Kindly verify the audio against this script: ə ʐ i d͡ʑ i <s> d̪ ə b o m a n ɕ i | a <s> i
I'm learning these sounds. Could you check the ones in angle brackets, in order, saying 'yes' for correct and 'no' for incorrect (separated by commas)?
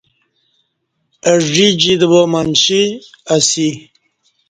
no, yes